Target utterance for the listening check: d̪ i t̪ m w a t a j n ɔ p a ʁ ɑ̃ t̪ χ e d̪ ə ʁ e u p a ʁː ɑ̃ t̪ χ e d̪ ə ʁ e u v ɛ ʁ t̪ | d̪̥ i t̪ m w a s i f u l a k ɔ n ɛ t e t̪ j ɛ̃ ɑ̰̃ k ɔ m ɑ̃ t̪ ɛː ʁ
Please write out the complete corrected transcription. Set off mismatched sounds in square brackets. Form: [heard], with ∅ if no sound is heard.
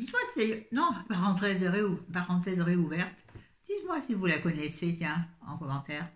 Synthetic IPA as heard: d̪ i t̪ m w a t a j n [ɔ̃] p a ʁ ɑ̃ t̪ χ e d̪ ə ʁ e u p a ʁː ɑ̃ t̪ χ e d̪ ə ʁ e u v ɛ ʁ t̪ | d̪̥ i t̪ m w a s i [v] u l a k ɔ n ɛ [s] e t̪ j ɛ̃ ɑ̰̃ k ɔ m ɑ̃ t̪ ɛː ʁ